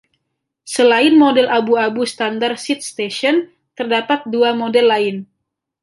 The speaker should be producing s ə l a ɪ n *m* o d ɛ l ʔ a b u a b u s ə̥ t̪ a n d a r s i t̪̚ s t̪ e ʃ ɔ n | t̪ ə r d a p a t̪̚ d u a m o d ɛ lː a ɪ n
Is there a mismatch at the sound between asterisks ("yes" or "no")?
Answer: no